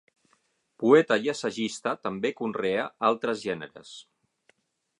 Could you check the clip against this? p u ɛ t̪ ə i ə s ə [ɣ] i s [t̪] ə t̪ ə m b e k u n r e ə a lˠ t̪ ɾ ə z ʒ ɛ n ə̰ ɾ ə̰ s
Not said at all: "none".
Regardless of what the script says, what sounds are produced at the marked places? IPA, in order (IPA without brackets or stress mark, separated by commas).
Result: ʒ, t̪